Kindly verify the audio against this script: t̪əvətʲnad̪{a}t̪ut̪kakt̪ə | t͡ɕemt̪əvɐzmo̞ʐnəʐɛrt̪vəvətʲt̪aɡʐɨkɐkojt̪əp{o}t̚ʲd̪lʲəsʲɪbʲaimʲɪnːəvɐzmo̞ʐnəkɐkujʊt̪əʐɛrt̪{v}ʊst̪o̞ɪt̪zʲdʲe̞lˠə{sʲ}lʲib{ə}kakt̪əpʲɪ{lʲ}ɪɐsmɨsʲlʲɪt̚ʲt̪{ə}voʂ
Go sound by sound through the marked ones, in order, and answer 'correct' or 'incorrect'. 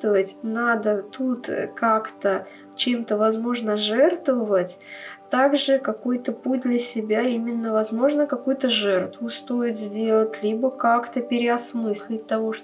incorrect: ə, incorrect: u, correct, incorrect: tʲ, correct, incorrect: ɾʲ, incorrect: ɐ

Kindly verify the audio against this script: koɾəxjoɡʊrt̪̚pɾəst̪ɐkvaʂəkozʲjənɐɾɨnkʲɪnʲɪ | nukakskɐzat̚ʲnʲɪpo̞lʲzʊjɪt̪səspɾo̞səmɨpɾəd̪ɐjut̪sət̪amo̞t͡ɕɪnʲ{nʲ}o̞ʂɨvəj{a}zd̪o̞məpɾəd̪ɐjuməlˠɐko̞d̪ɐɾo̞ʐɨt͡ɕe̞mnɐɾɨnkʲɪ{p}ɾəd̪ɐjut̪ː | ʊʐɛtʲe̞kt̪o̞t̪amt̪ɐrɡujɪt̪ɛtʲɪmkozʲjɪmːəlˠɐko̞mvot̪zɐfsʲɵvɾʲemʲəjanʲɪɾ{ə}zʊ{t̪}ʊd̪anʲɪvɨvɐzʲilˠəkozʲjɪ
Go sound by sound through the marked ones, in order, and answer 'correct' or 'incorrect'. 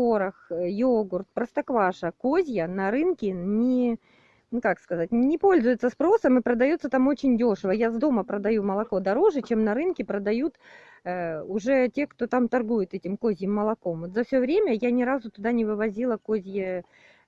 incorrect: dʲ, correct, correct, incorrect: a, correct

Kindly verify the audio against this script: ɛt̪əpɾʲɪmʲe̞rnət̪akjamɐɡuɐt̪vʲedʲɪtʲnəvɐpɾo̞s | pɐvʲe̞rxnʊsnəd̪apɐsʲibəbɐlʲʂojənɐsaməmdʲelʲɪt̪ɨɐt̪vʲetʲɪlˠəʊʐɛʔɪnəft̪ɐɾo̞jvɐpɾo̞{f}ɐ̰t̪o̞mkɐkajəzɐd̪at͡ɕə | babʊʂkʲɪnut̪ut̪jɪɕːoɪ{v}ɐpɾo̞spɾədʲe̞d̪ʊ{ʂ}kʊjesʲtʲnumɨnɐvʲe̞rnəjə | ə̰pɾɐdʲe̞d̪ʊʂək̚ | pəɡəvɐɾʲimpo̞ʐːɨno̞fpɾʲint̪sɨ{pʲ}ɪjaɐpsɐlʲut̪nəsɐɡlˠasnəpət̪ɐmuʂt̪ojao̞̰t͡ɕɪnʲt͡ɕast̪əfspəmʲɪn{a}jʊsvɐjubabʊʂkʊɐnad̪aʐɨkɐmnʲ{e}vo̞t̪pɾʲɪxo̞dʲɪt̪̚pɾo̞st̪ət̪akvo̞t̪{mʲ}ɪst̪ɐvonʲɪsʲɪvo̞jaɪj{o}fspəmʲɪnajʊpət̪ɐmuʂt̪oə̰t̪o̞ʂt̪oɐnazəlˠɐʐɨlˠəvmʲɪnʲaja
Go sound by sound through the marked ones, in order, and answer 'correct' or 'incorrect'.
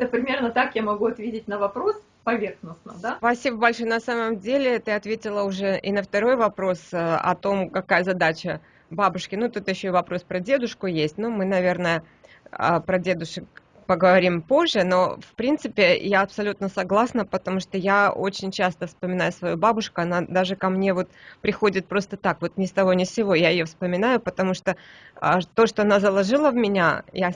incorrect: s, correct, correct, correct, correct, correct, incorrect: nʲ, correct

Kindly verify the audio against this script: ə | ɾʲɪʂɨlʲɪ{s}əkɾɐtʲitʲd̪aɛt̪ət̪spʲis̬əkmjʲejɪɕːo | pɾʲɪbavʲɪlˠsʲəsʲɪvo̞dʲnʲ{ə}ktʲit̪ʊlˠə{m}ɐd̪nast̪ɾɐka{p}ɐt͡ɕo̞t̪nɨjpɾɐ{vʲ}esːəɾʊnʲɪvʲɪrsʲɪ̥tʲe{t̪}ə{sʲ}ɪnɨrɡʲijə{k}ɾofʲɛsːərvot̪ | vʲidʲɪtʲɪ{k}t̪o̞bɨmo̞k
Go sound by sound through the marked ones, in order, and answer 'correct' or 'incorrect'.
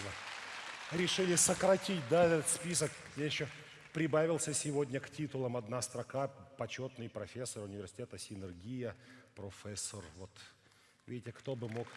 correct, correct, correct, correct, incorrect: fʲ, correct, correct, incorrect: p, correct

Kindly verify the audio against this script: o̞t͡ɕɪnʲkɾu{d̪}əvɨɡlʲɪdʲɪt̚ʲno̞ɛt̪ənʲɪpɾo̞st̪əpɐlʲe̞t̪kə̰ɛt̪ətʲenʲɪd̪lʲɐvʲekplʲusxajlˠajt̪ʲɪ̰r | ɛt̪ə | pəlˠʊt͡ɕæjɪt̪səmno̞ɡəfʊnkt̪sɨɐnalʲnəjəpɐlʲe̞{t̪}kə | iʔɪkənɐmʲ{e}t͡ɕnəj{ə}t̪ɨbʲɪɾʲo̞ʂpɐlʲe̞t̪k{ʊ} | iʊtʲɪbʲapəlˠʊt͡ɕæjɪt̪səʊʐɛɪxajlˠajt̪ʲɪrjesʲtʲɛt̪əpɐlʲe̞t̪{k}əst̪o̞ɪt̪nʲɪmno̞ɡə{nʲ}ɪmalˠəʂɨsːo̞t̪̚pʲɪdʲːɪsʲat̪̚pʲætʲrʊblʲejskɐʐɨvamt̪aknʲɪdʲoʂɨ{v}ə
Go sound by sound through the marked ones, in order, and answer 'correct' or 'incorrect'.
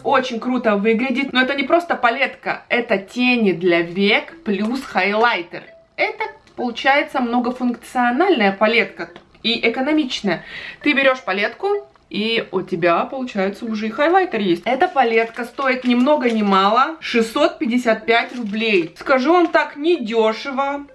incorrect: t̪, correct, incorrect: i, correct, correct, correct, correct, correct

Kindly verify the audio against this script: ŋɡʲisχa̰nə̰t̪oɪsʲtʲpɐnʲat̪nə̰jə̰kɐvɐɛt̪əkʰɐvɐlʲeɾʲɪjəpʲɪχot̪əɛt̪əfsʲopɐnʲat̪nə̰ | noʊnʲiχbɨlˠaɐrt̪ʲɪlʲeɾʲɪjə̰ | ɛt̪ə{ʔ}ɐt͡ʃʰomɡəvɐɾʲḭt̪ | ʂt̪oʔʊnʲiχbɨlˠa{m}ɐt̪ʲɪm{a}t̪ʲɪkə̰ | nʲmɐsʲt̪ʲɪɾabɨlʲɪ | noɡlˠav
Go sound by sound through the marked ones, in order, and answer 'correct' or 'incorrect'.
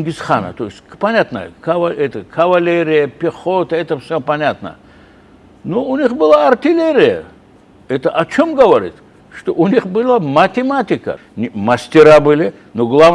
correct, correct, correct

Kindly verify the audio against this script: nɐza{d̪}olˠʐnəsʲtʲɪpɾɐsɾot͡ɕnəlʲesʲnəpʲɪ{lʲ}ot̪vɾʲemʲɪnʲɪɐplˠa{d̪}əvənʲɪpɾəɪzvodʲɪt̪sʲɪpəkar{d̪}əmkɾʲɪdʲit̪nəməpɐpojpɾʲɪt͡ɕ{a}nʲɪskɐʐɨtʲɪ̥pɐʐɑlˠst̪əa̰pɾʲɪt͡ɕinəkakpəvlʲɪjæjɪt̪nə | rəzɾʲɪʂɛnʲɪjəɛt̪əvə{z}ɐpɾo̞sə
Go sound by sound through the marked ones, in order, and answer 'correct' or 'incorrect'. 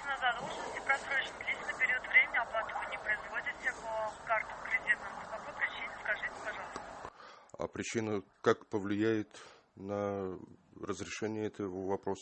correct, incorrect: ɾʲ, incorrect: t̪, incorrect: t̪, incorrect: i, incorrect: v

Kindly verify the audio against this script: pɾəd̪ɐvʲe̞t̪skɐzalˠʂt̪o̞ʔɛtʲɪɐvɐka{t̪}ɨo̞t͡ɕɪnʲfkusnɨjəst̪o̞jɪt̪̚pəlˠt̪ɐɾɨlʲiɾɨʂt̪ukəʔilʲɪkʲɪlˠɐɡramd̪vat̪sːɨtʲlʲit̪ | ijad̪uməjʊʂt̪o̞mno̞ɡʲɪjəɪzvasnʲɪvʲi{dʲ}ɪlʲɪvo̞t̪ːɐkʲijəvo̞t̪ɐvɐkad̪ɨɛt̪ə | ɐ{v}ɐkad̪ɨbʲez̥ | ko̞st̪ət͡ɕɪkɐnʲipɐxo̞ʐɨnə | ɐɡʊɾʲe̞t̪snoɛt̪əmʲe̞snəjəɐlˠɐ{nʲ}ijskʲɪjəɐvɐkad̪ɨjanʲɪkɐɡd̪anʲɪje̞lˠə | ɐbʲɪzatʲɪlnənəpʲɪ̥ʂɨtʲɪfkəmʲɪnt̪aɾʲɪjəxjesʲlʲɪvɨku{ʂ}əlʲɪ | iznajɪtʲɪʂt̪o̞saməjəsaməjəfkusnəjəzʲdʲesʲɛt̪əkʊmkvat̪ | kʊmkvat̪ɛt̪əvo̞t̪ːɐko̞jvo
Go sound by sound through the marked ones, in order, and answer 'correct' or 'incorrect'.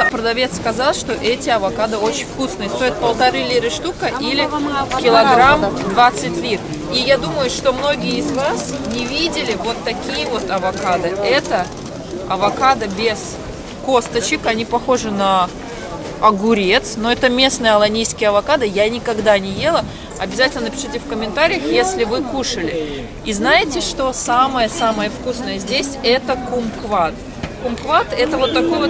incorrect: d̪, correct, correct, correct, correct

